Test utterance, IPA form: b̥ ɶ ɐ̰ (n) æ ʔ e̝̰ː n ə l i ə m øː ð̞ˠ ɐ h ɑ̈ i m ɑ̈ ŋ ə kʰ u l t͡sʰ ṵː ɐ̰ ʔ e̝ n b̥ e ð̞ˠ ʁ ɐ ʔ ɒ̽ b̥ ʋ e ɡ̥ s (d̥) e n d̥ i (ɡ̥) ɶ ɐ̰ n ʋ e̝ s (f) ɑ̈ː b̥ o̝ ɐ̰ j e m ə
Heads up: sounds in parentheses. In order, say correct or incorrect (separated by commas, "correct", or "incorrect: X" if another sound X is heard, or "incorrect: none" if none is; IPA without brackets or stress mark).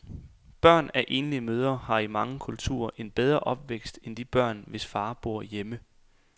correct, correct, incorrect: b̥, correct